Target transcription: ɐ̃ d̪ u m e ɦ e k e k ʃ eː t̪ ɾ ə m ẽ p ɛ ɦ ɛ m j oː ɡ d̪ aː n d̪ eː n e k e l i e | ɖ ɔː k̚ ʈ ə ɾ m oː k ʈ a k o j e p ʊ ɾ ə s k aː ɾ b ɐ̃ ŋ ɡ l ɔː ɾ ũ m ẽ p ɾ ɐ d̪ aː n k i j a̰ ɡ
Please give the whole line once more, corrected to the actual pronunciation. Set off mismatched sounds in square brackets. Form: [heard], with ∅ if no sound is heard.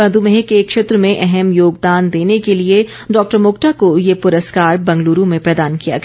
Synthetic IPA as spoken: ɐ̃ d̪ u m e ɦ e k e k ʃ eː t̪ ɾ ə m ẽ [ʔ] ɛ ɦ ɛ m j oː ɡ d̪ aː n d̪ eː n e k e l i e | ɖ ɔː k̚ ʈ ə ɾ m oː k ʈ a k o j e p ʊ ɾ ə s k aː ɾ b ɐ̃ ŋ ɡ l [uː] ɾ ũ m ẽ p ɾ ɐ d̪ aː n k i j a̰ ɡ